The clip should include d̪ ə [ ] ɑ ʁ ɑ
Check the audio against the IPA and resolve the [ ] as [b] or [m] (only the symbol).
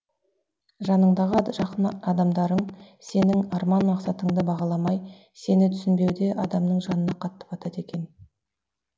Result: b